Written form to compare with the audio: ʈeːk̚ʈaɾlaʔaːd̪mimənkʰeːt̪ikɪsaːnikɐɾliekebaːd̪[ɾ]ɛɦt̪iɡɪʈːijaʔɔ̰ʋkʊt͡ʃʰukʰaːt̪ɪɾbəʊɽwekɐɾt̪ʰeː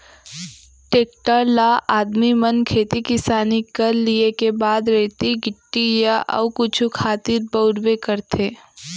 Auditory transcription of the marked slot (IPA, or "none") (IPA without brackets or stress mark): ɾ